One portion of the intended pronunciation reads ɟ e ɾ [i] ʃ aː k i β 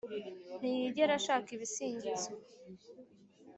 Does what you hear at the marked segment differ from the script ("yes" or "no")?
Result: yes